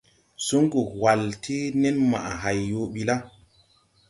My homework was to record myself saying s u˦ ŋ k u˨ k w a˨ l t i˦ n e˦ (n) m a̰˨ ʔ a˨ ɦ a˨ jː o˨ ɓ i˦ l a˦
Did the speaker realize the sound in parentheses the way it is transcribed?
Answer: yes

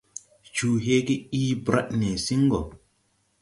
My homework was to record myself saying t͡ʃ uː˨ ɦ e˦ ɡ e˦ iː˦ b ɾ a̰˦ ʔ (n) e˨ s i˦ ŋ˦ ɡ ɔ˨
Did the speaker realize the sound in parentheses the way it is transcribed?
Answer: yes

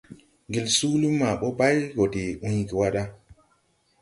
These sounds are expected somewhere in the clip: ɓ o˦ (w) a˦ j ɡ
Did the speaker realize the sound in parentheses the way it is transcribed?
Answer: no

